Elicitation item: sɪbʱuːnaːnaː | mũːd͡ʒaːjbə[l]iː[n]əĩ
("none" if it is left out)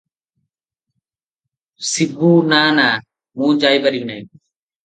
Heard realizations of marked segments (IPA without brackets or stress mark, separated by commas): ɾ, n